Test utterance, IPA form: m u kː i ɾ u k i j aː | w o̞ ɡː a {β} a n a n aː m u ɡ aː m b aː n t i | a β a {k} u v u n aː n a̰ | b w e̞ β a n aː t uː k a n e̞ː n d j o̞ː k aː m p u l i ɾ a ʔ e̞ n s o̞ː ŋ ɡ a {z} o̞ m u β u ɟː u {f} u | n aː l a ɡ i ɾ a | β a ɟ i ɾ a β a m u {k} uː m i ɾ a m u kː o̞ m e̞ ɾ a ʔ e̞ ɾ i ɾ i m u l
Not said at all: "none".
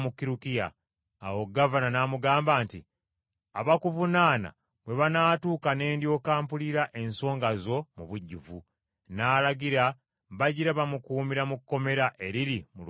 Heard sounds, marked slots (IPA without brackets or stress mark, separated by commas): v, k, z, v, k